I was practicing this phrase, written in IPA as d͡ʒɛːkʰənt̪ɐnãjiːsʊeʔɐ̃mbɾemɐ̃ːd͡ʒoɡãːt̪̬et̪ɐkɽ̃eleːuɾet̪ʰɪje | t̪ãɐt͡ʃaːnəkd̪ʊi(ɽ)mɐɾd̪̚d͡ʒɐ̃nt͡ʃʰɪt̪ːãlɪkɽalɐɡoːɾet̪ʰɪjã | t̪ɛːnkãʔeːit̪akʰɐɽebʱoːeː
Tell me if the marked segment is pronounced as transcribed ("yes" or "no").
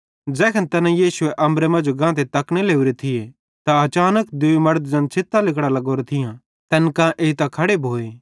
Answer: no